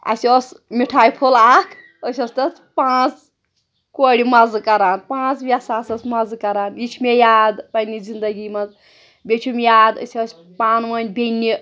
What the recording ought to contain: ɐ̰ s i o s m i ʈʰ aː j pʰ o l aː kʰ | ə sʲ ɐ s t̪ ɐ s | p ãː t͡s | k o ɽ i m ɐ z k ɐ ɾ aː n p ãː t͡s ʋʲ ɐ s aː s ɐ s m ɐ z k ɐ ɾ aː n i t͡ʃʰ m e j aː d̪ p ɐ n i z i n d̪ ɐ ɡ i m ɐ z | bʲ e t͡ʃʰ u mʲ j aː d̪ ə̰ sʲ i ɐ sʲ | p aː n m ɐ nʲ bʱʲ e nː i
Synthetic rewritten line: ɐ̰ s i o s m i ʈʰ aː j pʰ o l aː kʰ | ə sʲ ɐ s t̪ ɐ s | p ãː t͡s | k o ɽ i m ɐ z k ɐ ɾ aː n p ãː t͡s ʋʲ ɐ s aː s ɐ s m ɐ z k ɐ ɾ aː n i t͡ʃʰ m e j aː d̪ p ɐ n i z i n d̪ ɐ ɡ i m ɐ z | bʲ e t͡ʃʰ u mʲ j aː d̪ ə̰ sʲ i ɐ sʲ | p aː n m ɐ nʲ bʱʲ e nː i